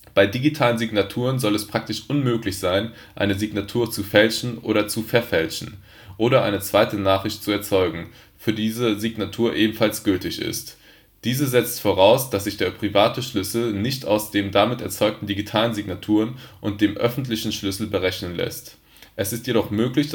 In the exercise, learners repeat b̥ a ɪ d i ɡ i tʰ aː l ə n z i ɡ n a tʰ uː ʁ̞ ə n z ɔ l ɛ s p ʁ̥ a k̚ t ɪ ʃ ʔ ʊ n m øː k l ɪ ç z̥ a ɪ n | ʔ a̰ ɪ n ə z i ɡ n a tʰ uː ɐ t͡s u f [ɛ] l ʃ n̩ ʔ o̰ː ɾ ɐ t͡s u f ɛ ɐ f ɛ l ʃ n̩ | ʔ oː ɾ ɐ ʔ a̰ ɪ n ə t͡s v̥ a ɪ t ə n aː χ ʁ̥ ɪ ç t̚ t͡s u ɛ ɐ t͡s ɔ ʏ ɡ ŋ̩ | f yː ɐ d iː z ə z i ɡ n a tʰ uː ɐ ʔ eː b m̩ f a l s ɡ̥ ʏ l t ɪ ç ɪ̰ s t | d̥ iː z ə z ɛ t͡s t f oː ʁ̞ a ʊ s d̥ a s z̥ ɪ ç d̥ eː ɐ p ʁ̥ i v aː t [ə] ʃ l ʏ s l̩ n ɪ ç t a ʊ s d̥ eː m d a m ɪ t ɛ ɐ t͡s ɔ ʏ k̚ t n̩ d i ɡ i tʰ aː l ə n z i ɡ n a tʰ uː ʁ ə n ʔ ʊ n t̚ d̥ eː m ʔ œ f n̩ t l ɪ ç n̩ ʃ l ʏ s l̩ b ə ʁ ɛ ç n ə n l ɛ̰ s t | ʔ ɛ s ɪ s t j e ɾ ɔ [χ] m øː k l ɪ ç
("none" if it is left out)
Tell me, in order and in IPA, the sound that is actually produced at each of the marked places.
ɛ, ə, χ

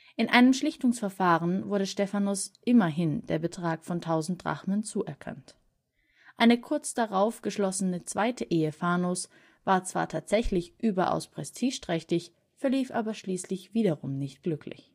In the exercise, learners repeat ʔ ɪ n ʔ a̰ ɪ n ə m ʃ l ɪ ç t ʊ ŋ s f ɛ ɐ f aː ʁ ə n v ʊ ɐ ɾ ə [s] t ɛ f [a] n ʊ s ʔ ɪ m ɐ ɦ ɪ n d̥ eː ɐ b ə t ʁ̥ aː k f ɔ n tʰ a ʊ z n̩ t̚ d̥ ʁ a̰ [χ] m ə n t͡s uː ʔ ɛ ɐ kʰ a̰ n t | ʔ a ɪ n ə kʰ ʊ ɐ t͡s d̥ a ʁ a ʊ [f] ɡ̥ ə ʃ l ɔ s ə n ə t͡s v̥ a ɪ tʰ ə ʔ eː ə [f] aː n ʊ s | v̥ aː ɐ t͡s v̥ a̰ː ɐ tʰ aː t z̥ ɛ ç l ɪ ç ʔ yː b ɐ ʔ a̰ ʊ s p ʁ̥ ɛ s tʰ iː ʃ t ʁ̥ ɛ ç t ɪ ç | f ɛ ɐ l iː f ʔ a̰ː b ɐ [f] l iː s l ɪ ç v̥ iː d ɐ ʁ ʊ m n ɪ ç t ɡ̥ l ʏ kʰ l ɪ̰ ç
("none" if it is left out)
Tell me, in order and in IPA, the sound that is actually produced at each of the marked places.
ʃ, a, χ, f, f, ʃ

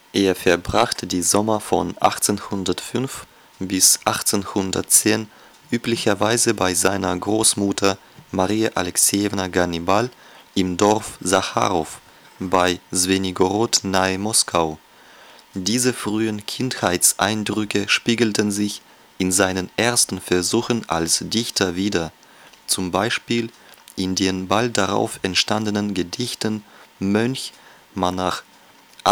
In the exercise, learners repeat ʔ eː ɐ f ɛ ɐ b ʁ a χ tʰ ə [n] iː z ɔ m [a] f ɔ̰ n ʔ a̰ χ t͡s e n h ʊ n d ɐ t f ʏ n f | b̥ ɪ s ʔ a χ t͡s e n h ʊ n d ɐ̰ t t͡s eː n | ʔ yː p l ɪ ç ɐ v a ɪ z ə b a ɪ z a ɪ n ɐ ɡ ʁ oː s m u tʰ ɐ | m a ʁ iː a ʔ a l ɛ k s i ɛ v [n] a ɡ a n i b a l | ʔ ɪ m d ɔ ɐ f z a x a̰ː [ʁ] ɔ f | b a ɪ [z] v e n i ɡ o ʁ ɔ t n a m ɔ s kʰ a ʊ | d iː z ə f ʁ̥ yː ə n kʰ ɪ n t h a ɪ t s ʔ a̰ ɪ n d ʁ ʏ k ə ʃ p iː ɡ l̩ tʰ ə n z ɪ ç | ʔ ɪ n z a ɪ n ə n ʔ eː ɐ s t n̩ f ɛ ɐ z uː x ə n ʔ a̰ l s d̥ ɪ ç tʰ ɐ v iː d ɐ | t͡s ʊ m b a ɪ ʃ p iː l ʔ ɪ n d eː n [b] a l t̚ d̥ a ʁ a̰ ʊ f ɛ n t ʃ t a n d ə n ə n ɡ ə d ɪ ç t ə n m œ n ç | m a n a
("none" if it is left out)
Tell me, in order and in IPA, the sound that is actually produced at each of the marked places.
d, ɐ, n, ʁ, z, b

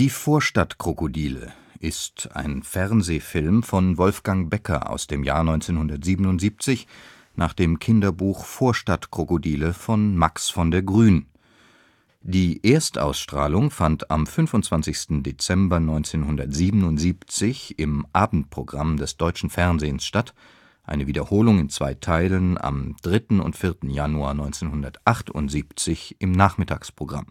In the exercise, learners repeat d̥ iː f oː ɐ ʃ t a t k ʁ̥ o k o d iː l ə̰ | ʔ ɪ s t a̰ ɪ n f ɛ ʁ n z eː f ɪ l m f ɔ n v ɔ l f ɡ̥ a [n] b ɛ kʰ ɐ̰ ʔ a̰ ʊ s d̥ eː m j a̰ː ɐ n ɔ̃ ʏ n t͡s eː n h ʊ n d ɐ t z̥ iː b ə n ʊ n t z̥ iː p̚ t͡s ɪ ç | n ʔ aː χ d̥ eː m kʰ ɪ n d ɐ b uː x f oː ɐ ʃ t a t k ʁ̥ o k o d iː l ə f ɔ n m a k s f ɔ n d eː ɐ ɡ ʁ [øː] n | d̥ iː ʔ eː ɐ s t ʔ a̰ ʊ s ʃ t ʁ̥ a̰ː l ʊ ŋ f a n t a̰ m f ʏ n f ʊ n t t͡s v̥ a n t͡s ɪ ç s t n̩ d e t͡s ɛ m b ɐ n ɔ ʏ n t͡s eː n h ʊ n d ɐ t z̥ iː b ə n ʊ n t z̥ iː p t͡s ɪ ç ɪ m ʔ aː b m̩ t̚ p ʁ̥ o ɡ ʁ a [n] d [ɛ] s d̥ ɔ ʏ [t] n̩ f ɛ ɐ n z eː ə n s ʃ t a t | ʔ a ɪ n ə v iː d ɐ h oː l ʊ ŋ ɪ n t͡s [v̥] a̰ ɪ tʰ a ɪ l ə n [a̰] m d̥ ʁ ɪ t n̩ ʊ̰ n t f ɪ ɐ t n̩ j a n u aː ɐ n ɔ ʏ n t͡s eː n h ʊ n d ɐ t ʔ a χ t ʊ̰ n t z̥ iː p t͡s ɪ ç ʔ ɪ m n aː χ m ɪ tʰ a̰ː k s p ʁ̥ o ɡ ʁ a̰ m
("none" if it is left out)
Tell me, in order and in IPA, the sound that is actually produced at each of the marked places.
ŋ, yː, m, ɛ, t͡ʃ, v̥, a̰

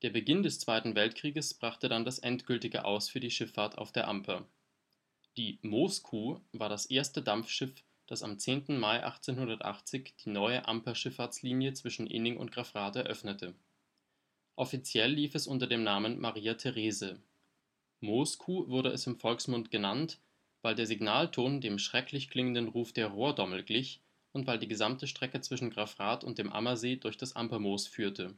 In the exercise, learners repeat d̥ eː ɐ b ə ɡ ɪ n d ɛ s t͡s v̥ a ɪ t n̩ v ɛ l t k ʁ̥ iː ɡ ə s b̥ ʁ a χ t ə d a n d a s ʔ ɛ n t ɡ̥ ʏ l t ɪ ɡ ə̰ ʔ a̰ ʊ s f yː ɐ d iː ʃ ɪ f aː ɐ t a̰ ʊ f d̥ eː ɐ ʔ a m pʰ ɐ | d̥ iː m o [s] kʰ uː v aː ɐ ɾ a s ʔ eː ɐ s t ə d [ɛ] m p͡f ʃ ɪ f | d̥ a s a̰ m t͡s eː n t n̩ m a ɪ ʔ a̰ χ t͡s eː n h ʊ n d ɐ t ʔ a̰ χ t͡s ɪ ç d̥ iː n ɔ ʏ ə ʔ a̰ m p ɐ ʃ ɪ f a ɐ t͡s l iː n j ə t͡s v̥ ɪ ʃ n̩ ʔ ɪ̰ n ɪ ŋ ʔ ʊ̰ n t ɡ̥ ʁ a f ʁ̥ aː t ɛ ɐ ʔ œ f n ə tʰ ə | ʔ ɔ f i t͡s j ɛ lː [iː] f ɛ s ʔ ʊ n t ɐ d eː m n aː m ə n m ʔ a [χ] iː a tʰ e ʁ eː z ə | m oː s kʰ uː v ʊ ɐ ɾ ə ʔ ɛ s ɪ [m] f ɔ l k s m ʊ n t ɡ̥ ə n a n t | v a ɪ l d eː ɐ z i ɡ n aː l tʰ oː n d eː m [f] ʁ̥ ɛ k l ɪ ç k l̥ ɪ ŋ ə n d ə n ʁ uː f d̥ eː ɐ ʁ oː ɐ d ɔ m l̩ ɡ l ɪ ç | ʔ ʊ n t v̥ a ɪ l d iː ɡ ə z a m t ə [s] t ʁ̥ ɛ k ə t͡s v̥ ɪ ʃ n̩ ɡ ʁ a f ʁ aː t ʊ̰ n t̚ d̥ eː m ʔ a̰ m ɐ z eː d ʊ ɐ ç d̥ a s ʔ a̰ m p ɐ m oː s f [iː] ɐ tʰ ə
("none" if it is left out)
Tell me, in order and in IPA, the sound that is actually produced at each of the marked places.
s, a, iː, ʁ, m, ʃ, ʃ, yː

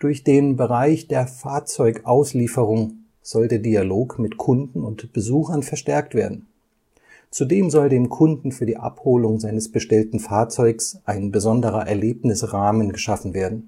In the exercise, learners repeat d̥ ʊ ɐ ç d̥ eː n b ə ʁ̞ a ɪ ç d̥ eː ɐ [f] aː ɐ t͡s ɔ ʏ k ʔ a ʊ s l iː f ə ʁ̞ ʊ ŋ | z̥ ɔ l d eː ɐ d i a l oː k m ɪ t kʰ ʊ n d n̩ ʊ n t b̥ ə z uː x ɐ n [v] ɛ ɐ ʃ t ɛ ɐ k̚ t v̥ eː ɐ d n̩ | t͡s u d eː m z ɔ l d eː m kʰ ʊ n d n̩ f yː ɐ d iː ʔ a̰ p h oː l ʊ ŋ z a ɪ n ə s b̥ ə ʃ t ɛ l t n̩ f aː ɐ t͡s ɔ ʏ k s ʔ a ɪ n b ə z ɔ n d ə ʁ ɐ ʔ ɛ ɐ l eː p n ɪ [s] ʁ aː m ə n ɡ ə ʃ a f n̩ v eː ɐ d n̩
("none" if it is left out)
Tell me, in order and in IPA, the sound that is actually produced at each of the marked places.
f, f, s

